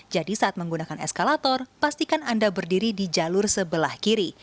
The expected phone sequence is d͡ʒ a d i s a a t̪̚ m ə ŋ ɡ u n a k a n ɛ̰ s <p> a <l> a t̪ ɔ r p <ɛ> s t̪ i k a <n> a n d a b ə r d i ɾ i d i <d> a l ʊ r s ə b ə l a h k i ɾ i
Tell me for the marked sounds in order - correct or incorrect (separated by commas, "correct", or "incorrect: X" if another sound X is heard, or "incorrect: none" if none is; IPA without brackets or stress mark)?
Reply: incorrect: k, correct, incorrect: a, correct, incorrect: d͡ʒ